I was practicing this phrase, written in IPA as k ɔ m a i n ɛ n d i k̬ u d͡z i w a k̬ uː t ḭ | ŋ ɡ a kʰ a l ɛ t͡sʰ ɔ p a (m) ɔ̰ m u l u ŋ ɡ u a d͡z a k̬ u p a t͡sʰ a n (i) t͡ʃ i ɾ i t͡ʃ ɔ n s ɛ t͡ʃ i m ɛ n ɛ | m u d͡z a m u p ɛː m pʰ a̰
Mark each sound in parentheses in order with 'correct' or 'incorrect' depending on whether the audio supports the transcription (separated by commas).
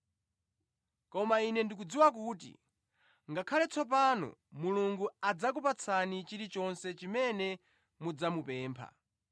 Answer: incorrect, correct